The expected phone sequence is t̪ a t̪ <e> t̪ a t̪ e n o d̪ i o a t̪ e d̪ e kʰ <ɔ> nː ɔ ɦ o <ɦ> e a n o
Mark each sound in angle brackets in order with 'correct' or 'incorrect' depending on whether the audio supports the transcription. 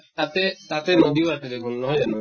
correct, incorrect: u, incorrect: none

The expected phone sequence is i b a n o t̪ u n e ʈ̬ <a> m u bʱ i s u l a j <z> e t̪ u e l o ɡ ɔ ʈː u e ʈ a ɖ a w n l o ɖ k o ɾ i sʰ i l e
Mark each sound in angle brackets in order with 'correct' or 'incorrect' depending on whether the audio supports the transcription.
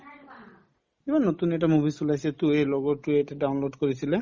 correct, incorrect: s

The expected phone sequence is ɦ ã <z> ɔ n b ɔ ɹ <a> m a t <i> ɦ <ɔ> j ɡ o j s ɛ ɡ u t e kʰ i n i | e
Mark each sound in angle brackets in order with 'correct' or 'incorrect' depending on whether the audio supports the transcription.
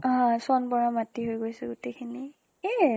incorrect: s, correct, correct, incorrect: o

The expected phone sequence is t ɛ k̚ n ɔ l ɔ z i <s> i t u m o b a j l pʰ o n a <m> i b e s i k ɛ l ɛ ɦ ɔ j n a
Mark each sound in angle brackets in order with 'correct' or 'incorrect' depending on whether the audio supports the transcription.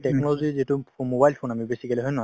incorrect: z, correct

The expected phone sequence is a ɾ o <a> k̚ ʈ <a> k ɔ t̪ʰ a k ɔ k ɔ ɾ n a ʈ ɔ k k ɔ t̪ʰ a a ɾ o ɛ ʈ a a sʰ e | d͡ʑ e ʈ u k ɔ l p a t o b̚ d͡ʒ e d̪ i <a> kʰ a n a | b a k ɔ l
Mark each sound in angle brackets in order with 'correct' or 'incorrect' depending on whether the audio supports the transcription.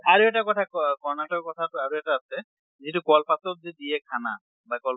incorrect: ɛ, correct, incorrect: e

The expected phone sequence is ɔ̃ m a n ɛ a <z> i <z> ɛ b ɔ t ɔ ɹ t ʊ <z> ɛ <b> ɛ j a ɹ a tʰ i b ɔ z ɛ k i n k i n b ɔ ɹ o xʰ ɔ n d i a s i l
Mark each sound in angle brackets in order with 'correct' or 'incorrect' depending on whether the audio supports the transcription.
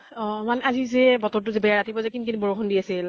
correct, correct, correct, correct

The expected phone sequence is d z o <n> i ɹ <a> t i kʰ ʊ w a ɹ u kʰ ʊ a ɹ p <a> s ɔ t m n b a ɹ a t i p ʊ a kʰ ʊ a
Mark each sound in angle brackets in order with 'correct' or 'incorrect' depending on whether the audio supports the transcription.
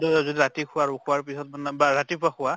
incorrect: d, correct, incorrect: i

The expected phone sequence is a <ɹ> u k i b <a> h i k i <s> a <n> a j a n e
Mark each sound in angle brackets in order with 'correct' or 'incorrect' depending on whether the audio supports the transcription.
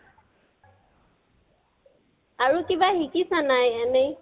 correct, correct, correct, correct

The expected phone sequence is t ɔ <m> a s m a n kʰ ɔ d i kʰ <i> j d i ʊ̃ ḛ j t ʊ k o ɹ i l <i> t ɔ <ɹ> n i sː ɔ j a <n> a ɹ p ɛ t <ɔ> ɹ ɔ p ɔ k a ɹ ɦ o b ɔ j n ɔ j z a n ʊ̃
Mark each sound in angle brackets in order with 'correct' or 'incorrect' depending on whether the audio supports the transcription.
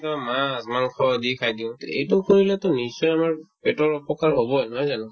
correct, incorrect: a, incorrect: ɛ, incorrect: none, incorrect: m, correct

